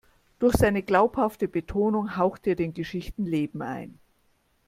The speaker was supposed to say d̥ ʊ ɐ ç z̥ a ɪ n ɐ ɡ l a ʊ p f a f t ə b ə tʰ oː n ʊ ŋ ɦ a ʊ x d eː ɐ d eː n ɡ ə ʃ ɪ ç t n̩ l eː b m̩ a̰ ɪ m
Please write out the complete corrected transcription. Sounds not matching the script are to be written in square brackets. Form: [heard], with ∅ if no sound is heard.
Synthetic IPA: d̥ ʊ ɐ ç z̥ a ɪ n [ə] ɡ l a ʊ p [h] a f t ə b ə tʰ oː n ʊ ŋ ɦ a ʊ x [t] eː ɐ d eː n ɡ ə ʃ ɪ ç t n̩ l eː b m̩ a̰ ɪ [n]